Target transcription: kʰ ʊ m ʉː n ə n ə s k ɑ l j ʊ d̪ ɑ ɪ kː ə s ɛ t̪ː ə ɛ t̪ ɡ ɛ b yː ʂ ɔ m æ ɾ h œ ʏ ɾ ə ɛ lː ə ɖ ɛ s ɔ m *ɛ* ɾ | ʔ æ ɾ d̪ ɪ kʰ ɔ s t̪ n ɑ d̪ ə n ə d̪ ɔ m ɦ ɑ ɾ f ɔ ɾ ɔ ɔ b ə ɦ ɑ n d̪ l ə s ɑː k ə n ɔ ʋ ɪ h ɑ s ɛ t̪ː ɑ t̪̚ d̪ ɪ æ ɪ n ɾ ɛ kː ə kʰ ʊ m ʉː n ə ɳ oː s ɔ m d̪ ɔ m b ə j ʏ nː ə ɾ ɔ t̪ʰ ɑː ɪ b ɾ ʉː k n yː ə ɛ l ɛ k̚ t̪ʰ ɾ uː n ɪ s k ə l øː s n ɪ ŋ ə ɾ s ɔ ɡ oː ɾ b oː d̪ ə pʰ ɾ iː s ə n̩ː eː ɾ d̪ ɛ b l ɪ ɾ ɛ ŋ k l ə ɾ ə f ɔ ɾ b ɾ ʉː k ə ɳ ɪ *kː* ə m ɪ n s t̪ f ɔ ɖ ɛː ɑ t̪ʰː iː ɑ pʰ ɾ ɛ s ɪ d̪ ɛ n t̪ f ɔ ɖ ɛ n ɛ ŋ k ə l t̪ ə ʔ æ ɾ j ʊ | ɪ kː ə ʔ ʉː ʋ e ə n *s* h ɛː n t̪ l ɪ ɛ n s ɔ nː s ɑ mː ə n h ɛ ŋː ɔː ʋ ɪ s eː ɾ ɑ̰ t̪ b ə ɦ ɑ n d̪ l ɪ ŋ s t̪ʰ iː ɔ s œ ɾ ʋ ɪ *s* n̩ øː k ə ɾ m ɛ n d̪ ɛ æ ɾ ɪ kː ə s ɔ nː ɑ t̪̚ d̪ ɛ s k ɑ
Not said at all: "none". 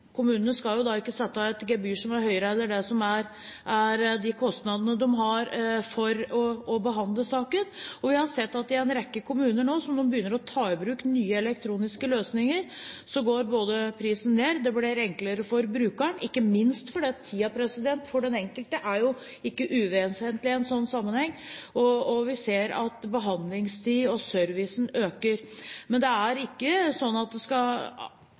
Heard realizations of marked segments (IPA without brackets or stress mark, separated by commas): æ, kː, s, s